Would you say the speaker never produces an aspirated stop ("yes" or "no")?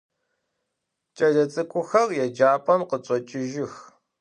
yes